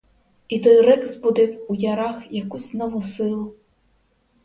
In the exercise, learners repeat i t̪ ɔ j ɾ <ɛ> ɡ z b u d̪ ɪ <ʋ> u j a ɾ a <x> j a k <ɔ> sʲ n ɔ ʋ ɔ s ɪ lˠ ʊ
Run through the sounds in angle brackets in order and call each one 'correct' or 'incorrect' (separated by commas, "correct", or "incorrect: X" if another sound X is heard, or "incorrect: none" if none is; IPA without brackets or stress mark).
correct, incorrect: w, correct, incorrect: u